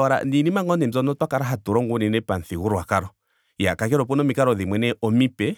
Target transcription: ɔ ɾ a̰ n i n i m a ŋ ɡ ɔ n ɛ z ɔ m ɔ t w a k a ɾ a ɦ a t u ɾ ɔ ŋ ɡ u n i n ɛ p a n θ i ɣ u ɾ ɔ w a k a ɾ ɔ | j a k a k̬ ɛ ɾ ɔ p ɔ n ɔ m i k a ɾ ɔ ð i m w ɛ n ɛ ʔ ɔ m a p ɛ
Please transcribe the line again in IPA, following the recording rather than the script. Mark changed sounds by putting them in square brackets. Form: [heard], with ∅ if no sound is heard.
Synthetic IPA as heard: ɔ ɾ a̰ n i n i m a ŋ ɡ ɔ n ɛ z ɔ [n] ɔ t w a k a ɾ a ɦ a t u ɾ ɔ ŋ ɡ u n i n ɛ p a n θ i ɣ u ɾ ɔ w a k a ɾ ɔ | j a k a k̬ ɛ ɾ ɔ p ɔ n ɔ m i k a ɾ ɔ ð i m w ɛ n ɛ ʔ ɔ m [i] p ɛ